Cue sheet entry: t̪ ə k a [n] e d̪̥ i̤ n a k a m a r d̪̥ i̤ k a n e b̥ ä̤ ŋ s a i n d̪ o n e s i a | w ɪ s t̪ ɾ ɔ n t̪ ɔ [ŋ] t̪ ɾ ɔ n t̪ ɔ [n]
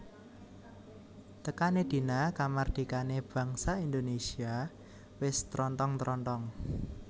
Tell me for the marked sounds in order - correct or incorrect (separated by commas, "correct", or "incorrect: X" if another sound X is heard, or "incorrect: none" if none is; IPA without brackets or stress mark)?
correct, correct, incorrect: ŋ